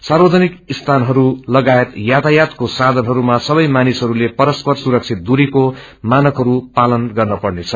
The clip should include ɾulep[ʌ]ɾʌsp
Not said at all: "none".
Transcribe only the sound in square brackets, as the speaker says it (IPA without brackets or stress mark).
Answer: ʌ